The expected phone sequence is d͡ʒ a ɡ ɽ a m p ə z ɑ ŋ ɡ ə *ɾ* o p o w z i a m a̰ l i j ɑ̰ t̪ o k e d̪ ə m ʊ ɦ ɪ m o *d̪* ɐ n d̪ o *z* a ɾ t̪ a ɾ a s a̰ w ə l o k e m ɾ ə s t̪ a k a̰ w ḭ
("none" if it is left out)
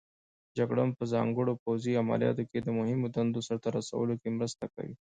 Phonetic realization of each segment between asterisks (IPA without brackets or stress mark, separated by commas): ɽ, d̪, s